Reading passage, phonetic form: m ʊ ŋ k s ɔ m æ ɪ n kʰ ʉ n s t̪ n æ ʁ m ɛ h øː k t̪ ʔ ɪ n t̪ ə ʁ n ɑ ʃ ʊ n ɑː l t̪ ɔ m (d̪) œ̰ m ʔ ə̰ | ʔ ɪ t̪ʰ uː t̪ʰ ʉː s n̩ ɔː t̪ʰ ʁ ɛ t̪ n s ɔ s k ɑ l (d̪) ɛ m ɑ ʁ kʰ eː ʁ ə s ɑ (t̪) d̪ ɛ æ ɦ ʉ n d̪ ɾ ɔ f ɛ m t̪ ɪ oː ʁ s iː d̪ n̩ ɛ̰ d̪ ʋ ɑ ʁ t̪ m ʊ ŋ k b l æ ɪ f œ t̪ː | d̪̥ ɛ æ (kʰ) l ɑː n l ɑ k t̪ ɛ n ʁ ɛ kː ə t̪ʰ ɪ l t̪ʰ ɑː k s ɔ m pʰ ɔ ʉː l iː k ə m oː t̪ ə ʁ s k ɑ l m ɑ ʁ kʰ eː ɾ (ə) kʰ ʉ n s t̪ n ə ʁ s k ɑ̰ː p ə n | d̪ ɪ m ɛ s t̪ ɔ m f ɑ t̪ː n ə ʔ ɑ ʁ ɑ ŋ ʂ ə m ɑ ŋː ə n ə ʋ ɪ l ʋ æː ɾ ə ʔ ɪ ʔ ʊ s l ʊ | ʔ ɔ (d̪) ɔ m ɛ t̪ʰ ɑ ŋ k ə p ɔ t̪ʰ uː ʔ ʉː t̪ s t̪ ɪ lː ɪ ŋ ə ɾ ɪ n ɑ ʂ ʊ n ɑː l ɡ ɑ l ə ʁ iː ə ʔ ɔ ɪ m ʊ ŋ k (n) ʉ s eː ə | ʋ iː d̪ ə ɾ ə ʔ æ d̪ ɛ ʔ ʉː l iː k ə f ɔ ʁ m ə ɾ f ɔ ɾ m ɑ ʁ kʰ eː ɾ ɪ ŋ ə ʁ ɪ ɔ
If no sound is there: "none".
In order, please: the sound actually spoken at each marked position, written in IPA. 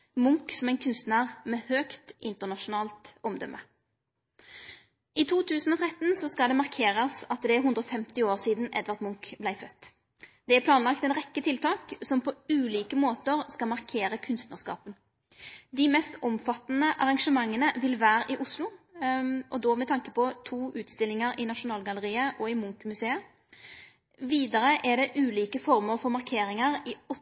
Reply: d̪, d̪, t̪, pʰ, ə, d̪, m

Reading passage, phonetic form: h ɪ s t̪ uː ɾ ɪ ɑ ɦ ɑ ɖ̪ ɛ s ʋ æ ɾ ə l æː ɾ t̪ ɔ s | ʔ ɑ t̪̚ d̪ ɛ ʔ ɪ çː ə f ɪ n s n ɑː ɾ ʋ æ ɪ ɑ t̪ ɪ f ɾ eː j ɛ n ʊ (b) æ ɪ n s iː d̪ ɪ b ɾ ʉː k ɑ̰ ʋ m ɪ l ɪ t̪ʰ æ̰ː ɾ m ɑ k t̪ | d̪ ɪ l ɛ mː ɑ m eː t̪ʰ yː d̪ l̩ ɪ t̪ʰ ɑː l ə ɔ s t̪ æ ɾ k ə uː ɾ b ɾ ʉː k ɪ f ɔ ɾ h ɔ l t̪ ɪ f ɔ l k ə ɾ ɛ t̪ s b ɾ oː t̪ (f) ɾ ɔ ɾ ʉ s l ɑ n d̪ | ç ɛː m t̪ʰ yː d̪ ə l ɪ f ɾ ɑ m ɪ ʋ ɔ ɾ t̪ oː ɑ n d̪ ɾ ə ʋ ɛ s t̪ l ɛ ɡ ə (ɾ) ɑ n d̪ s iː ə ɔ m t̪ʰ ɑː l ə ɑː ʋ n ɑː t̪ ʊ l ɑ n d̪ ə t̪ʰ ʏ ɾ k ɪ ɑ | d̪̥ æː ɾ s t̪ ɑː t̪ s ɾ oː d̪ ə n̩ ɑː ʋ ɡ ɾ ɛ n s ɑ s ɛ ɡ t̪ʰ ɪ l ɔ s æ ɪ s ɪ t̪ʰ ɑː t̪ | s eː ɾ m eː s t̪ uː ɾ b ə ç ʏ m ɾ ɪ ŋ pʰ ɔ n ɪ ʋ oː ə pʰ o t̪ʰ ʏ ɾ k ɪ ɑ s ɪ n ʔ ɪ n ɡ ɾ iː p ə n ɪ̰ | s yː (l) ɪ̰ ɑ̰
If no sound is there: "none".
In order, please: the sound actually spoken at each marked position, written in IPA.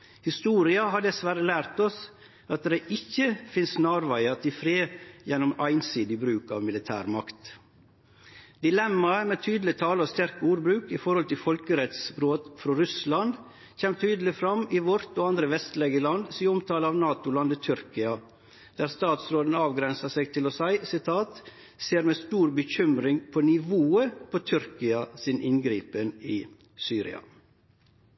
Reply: m, f, l, ɾ

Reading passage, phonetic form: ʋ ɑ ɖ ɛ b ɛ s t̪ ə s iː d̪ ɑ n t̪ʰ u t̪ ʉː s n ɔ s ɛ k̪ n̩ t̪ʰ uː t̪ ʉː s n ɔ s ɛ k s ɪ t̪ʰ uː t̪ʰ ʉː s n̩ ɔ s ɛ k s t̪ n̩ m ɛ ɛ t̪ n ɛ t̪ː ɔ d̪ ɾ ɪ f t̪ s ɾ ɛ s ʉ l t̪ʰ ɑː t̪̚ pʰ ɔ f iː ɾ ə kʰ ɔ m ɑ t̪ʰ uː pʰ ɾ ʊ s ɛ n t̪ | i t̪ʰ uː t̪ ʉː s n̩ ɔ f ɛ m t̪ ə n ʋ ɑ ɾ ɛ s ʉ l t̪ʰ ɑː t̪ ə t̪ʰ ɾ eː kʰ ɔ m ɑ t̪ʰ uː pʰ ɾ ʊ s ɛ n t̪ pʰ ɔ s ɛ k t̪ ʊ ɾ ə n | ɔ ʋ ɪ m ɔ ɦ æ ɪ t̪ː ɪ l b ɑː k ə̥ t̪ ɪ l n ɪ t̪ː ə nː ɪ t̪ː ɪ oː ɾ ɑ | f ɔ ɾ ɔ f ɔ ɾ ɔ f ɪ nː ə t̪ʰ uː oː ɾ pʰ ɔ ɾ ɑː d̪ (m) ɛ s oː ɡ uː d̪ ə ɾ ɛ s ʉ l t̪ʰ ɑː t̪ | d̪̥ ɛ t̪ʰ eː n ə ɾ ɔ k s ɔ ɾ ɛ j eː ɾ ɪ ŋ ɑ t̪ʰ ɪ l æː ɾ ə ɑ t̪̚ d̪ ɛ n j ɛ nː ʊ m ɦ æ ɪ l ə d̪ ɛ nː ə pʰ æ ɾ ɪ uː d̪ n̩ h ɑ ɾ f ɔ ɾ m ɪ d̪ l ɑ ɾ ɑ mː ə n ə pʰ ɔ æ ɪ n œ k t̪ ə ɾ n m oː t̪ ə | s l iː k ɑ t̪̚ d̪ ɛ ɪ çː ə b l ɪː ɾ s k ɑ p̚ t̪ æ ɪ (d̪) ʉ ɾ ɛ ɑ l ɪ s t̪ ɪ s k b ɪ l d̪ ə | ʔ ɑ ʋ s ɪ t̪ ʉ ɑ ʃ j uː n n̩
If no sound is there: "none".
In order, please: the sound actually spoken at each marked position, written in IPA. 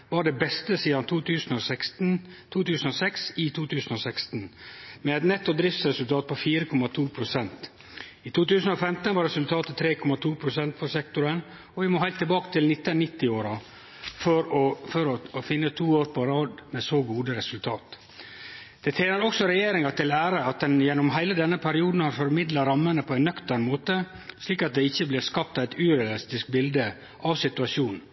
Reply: m, t̪

